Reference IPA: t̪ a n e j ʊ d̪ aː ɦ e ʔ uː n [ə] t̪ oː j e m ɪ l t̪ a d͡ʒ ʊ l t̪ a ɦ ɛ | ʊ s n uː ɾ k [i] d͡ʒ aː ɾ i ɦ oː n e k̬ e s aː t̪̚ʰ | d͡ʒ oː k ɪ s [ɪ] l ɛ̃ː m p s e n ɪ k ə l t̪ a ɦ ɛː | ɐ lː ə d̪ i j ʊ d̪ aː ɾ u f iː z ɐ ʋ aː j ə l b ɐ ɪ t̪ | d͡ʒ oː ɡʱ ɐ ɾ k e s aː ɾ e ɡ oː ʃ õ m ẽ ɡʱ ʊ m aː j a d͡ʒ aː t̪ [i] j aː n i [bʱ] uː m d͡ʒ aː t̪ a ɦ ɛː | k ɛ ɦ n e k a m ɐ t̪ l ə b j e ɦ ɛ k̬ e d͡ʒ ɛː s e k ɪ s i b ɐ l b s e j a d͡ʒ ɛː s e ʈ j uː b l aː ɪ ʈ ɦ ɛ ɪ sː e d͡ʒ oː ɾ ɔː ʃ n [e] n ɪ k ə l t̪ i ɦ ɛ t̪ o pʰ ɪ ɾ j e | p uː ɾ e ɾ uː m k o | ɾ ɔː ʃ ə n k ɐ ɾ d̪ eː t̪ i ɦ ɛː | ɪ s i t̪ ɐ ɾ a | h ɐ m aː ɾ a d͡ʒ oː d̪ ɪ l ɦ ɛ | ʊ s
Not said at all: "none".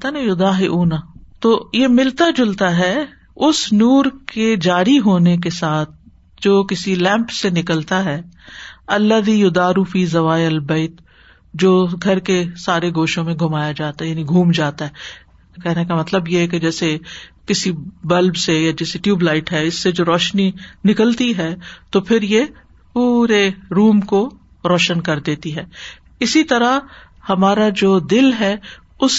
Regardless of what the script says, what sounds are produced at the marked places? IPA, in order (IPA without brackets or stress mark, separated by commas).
a, e, i, a, ɡʱ, i